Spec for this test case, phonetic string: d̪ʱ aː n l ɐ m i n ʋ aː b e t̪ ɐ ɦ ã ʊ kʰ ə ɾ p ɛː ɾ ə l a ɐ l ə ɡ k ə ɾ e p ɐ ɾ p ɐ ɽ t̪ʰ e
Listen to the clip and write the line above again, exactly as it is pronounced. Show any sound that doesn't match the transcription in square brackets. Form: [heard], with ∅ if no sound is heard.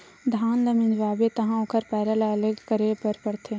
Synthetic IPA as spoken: d̪ʱ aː n l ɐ m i n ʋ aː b e t̪ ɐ ɦ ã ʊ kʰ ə ɾ p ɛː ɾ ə l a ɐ l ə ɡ k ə ɾ e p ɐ ɾ p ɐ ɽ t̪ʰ e